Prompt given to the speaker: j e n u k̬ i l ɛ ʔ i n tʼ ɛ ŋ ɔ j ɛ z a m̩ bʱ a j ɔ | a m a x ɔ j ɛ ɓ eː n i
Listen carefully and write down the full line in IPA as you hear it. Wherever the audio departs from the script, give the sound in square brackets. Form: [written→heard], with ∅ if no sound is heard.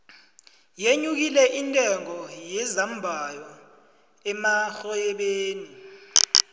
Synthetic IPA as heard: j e [n→ɲ] u k̬ i l ɛ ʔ i n tʼ ɛ ŋ ɔ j ɛ z a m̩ bʱ a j ɔ | [a→ɛ] m a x ɔ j ɛ ɓ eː n i